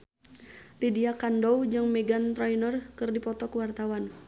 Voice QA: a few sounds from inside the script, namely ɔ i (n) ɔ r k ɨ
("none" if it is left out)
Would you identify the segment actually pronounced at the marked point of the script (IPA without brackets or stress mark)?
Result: n